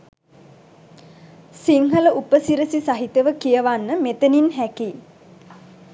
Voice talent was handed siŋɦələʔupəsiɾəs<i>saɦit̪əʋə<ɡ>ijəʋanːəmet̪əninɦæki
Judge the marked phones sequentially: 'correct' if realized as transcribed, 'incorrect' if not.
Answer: correct, incorrect

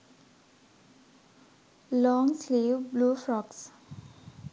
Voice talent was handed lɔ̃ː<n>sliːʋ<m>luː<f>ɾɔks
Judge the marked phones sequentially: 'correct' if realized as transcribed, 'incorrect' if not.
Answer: incorrect, incorrect, correct

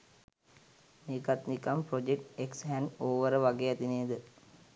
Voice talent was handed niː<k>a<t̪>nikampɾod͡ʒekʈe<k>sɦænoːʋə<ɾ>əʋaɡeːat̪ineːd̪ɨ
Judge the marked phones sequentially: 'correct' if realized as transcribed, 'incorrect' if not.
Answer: correct, correct, correct, correct

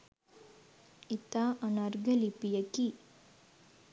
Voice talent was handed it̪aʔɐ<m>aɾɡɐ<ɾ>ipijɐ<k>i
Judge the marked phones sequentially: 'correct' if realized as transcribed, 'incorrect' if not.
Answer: incorrect, incorrect, correct

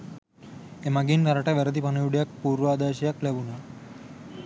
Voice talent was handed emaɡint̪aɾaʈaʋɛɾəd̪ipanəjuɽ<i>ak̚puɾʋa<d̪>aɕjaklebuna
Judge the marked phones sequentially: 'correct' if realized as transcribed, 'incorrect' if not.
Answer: incorrect, correct

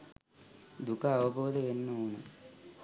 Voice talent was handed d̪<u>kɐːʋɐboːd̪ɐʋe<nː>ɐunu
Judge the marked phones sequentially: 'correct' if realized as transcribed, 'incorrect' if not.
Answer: correct, correct

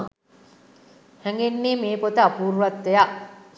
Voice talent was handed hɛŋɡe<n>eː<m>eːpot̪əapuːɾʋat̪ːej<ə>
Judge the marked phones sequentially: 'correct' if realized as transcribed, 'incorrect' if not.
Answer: incorrect, correct, incorrect

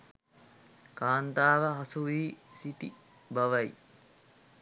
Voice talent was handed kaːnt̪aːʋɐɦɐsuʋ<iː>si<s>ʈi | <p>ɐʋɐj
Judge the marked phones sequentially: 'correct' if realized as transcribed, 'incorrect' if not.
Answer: correct, incorrect, incorrect

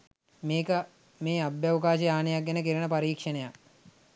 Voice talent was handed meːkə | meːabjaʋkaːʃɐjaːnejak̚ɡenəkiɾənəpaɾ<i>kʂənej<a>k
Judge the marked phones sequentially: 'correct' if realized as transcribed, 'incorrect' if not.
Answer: incorrect, correct

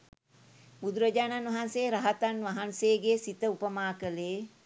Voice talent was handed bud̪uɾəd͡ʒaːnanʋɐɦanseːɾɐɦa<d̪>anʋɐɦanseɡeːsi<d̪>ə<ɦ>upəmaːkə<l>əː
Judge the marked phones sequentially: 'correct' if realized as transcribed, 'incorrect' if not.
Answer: incorrect, incorrect, incorrect, correct

